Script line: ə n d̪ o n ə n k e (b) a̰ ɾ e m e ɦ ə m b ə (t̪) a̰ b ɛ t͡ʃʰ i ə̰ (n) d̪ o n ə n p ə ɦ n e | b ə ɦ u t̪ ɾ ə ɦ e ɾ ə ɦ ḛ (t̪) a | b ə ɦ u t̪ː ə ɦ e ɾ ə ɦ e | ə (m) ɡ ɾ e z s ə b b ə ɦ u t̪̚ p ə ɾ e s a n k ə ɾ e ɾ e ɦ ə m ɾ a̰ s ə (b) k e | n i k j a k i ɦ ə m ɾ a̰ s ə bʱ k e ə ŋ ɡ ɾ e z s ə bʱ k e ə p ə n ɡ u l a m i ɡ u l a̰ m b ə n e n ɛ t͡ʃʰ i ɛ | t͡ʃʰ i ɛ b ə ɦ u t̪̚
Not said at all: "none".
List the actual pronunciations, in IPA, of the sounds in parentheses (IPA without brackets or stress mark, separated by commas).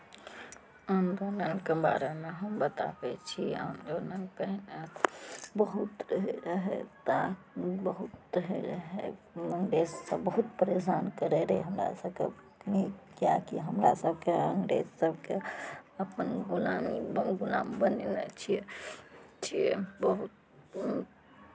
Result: b, t̪, n, t̪, ŋ, b